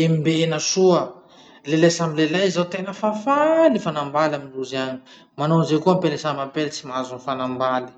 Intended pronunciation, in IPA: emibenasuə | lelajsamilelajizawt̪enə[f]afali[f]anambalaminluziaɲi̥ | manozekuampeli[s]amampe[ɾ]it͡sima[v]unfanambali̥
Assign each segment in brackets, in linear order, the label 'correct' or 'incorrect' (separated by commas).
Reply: correct, correct, correct, incorrect, incorrect